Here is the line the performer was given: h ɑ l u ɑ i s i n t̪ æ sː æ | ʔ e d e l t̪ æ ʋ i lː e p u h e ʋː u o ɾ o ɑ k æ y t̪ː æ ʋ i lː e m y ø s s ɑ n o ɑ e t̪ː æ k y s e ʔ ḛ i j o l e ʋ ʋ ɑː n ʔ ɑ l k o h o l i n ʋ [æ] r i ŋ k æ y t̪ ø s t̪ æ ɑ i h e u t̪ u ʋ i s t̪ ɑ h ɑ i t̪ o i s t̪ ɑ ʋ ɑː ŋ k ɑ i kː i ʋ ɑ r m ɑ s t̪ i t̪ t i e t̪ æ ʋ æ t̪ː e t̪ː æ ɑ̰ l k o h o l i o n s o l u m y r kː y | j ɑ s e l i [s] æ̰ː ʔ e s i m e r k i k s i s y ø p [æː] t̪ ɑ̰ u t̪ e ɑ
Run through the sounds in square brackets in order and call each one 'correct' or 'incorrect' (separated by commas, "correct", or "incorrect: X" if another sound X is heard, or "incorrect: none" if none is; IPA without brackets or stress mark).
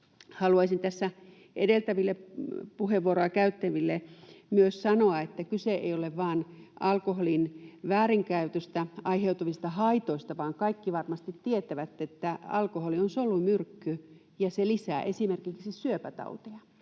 incorrect: æː, correct, incorrect: æ